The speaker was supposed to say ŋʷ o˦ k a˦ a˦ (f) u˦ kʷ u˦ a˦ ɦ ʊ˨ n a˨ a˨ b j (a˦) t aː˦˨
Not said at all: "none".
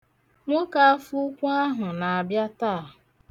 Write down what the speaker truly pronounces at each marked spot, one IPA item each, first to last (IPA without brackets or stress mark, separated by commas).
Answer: f, a˦